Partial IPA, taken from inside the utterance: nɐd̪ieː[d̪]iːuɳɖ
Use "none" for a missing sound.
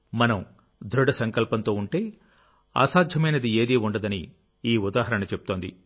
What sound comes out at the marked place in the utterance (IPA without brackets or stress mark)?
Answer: d̪